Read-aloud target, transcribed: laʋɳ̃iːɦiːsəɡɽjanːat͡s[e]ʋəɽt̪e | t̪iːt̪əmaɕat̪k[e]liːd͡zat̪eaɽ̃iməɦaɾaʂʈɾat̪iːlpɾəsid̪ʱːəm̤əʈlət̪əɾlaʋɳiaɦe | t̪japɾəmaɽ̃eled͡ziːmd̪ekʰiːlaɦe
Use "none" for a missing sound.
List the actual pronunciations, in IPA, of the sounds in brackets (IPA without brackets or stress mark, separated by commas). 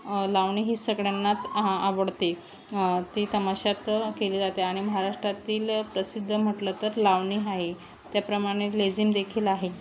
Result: a, e